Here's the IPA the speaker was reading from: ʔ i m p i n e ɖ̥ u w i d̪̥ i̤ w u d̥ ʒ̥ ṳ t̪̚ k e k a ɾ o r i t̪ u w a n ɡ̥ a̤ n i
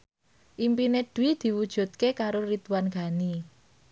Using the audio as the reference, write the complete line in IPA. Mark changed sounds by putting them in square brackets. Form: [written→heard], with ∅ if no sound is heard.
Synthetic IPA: ʔ i m p i n e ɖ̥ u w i d̪̥ i̤ w u d̥ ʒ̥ ṳ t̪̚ k e k a ɾ o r i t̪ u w a n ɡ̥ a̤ n i